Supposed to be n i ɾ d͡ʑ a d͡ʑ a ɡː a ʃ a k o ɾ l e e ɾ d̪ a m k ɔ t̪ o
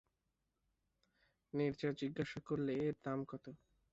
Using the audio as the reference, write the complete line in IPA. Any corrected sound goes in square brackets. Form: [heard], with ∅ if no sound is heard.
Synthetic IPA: n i ɾ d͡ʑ a d͡ʑ [i] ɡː a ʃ a k o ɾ l e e ɾ d̪ a m k ɔ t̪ o